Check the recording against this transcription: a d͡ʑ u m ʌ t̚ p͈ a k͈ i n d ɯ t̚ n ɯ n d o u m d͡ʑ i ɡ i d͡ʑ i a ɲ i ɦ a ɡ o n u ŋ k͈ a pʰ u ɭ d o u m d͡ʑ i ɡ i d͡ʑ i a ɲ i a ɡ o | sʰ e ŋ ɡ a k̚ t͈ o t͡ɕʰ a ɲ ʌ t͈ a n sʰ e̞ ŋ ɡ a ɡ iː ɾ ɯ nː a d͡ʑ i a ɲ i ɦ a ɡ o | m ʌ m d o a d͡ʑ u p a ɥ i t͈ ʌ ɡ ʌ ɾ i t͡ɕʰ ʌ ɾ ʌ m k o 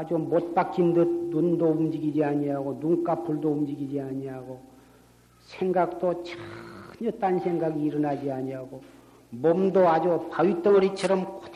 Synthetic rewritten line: a d͡ʑ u m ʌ t̚ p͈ a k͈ i n d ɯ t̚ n u n d o u m d͡ʑ i ɡ i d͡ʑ i a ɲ i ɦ a ɡ o n u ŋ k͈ a pʰ u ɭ d o u m d͡ʑ i ɡ i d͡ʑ i a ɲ i a ɡ o | sʰ e ŋ ɡ a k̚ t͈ o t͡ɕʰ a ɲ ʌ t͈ a n sʰ e̞ ŋ ɡ a ɡ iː ɾ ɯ n a d͡ʑ i a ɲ i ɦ a ɡ o | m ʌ m d o a d͡ʑ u p a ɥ i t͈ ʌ ŋ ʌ ɾ i t͡ɕʰ ʌ ɾ ʌ m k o